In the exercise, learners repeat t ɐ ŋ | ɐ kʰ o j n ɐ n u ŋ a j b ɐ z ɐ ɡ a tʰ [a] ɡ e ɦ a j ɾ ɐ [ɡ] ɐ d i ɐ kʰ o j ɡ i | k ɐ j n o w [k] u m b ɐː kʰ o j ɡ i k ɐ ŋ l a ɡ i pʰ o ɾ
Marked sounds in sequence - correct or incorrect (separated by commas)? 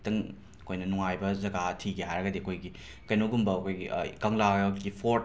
incorrect, correct, incorrect